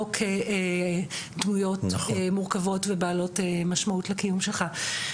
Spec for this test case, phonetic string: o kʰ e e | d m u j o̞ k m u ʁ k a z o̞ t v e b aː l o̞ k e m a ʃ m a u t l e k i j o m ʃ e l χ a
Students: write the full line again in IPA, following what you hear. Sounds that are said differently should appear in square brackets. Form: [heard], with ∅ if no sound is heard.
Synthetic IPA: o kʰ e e | d m u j o̞ [t] m u ʁ k a [v] o̞ t v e b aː l o̞ [t] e m a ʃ m a u t l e k i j [u] m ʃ e l χ a